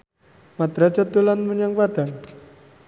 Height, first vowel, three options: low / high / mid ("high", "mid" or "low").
low